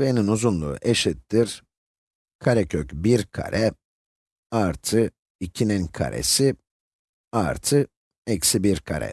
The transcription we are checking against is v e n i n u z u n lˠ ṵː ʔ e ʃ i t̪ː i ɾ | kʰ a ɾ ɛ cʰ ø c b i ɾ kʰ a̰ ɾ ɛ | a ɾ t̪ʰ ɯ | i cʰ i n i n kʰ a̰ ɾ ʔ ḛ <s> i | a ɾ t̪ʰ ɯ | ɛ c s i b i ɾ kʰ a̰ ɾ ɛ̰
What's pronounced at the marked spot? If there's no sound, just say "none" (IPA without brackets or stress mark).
s